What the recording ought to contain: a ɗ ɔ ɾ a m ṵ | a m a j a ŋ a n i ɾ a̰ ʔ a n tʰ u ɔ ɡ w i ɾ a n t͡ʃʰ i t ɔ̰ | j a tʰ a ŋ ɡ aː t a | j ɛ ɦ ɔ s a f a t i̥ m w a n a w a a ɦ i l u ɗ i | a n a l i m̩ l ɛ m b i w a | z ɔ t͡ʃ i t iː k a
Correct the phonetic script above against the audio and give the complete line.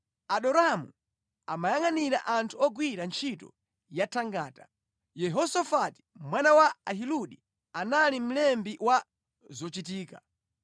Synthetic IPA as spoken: a ɗ ɔ ɾ a m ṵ | a m a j a ŋ a n i ɾ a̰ ʔ a n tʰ u ɔ ɡ w i ɾ a n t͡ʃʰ i t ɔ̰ | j a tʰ a ŋ ɡ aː t a | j ɛ ɦ ɔ s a f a t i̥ m w a n a w a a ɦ i l u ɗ i | a n a l i m̩ l ɛ m b i w a | z ɔ t͡ʃ i t iː k a